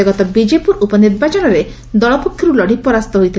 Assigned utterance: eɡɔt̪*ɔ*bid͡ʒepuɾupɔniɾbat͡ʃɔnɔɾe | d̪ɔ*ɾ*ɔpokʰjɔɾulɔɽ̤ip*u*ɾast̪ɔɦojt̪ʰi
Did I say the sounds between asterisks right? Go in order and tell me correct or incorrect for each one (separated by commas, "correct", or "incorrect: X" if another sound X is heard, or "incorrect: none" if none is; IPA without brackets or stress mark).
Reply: correct, incorrect: ɭ, incorrect: ɔ